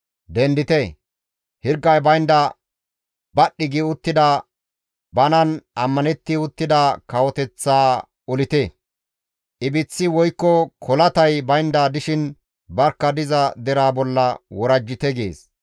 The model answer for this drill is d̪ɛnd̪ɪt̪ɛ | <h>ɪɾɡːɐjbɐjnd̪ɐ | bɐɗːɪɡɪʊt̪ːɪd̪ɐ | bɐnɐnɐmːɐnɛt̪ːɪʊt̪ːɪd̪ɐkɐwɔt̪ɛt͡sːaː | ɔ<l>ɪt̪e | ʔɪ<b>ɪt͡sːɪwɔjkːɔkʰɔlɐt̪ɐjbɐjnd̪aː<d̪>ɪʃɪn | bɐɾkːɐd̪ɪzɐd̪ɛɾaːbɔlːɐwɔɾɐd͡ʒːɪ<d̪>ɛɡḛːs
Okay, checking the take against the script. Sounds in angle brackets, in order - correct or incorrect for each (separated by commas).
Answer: correct, correct, correct, correct, incorrect